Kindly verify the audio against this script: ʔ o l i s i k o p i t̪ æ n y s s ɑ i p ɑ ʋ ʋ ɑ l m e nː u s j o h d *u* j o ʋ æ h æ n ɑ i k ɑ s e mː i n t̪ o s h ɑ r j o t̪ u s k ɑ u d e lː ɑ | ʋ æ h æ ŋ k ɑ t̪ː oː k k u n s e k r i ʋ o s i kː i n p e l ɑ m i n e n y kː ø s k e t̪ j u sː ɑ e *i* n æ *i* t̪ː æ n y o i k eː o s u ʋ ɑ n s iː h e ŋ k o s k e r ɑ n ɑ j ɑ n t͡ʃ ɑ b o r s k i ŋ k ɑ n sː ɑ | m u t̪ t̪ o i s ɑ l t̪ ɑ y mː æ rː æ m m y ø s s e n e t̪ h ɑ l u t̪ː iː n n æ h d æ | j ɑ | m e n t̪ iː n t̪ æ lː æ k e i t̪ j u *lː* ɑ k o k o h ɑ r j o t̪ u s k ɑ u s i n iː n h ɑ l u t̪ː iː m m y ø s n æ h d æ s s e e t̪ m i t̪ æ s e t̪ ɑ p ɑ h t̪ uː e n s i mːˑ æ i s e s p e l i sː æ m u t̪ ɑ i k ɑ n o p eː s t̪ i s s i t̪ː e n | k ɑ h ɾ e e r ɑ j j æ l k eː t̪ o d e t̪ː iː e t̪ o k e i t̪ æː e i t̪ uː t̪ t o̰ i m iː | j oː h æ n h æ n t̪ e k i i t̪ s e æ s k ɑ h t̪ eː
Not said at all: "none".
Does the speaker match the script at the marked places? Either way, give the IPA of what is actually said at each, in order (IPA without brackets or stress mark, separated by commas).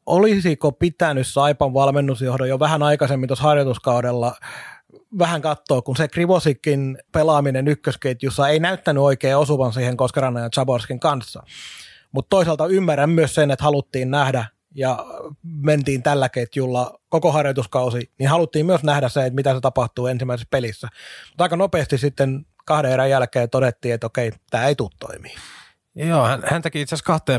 o, i, y, lː